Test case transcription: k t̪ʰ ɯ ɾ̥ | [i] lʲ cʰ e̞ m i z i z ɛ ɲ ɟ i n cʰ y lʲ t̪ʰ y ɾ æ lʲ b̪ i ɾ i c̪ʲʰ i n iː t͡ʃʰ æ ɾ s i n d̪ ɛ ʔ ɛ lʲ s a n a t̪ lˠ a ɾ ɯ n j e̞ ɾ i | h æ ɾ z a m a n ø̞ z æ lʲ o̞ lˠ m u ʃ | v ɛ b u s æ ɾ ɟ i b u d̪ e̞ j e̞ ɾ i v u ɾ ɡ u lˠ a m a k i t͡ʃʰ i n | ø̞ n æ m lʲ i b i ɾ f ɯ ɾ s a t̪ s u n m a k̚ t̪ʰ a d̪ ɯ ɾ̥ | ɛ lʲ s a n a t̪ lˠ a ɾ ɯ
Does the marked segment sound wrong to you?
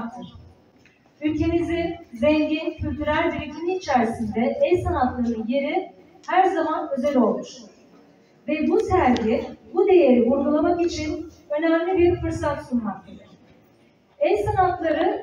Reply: yes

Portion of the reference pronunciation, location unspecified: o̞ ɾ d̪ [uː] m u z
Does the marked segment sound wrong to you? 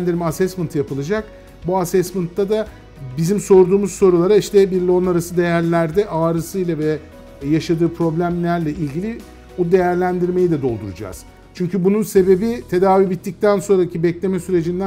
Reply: no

